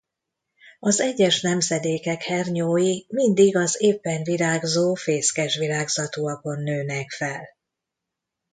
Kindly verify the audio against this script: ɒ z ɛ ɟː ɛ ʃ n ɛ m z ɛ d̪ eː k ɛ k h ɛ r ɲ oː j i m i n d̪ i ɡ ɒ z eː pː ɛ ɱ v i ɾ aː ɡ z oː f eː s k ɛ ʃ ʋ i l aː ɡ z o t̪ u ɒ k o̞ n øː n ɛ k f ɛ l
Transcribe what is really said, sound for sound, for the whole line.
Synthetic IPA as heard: ɒ z ɛ ɟː ɛ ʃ n ɛ m z ɛ d̪ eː k ɛ k h ɛ r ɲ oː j i m i n d̪ i ɡ ɒ z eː pː ɛ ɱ v i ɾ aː ɡ z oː f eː s k ɛ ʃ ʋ i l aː ɡ z ɒ t̪ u ɒ k o̞ nː øː n ɛ k f ɛ l